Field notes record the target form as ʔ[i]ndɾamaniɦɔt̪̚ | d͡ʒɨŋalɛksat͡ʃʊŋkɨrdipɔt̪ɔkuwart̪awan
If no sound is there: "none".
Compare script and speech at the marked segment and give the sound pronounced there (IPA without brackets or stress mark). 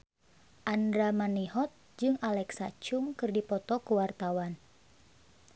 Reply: a